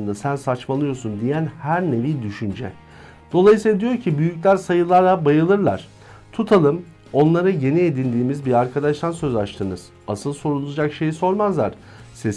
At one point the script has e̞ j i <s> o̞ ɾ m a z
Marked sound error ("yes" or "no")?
no